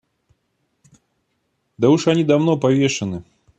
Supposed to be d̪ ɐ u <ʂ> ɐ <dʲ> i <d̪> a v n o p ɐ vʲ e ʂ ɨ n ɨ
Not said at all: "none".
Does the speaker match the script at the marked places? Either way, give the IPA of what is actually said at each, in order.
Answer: ʂ, nʲ, d̪

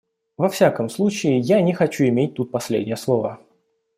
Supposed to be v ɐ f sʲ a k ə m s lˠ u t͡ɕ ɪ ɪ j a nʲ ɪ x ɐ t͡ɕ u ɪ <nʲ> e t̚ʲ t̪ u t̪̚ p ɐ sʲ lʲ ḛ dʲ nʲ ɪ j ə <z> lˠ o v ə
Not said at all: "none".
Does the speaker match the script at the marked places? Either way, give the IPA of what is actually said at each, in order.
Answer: mʲ, s

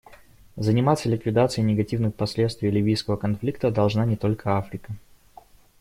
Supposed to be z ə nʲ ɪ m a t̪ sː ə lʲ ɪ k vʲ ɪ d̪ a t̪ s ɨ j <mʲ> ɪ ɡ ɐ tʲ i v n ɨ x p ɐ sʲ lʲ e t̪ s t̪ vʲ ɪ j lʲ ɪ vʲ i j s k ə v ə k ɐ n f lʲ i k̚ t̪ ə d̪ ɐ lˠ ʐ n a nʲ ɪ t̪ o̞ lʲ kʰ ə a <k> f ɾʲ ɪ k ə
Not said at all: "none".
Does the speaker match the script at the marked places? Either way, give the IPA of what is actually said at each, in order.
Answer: nʲ, none

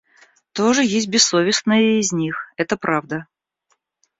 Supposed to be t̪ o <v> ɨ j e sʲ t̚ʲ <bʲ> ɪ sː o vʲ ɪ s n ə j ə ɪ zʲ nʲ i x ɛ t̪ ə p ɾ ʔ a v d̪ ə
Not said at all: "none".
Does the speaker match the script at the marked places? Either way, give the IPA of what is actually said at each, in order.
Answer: ʐ, bʲ

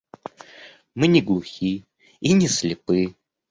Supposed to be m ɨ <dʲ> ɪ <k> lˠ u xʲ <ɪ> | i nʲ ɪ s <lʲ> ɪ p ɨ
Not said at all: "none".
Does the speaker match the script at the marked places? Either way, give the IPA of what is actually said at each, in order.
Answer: nʲ, ɡ, i, lʲ

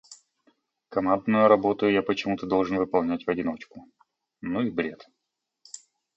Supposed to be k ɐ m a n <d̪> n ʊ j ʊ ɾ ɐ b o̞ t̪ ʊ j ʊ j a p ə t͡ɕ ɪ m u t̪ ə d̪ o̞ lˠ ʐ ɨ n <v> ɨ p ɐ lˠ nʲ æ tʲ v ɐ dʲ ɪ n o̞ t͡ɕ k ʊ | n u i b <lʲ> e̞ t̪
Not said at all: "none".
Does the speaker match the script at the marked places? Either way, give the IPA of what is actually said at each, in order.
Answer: d̪, v, ɾʲ

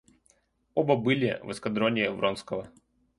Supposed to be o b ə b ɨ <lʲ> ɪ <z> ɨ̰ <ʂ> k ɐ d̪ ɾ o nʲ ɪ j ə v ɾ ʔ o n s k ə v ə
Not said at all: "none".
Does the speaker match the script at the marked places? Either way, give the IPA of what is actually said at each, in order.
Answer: lʲ, v, s

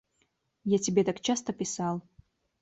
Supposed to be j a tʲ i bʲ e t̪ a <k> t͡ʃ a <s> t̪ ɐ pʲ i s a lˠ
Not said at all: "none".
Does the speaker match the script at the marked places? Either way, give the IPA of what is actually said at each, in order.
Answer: k, s

